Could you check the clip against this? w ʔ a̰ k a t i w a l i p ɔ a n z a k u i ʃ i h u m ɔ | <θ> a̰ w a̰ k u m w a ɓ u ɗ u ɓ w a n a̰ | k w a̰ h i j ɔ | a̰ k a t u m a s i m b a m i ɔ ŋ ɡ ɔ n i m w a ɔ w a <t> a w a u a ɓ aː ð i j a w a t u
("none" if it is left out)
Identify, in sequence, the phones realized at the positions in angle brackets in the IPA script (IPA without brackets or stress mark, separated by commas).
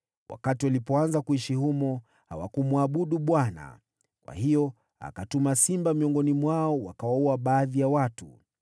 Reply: h, k